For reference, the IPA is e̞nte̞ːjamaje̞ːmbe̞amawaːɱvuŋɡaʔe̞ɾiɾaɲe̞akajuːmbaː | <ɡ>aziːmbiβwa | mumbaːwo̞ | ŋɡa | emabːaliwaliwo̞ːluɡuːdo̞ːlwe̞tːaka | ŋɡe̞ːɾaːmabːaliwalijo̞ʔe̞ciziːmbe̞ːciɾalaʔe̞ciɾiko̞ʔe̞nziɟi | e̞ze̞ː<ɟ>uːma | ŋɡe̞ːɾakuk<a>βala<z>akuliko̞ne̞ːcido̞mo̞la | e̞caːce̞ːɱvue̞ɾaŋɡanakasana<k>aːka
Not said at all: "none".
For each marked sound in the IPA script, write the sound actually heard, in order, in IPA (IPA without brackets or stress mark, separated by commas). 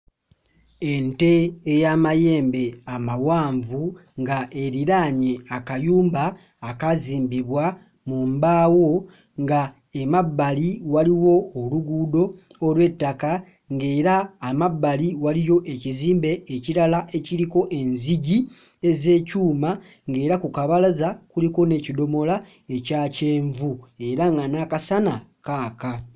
k, c, a, z, k